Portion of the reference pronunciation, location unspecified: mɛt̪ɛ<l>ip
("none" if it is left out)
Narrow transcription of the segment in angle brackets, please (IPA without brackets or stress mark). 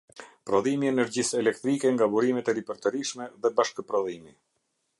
ɾ